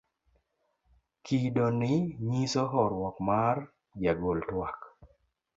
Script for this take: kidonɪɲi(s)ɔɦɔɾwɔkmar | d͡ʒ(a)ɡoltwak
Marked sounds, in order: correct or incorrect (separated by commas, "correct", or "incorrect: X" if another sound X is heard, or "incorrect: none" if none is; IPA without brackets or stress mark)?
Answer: correct, correct